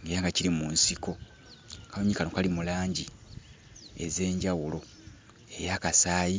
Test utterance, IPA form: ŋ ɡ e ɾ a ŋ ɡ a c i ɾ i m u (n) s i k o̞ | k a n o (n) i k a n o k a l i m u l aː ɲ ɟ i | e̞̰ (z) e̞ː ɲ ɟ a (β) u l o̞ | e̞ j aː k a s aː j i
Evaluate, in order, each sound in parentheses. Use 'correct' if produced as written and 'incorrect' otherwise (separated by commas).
correct, incorrect, correct, incorrect